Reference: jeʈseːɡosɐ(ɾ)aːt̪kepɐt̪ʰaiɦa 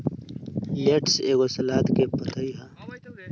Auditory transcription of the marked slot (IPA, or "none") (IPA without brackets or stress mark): l